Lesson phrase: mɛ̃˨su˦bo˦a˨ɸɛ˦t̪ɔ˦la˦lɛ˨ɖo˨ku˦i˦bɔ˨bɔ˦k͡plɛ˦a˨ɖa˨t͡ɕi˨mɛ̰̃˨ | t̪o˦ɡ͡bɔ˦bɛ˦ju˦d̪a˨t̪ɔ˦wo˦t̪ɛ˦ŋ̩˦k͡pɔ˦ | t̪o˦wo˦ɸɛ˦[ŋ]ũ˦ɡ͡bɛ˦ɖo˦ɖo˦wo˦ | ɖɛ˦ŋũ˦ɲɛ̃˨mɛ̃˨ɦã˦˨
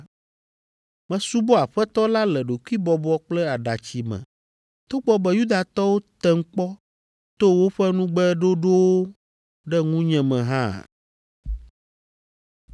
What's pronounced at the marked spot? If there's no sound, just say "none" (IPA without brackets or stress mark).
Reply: n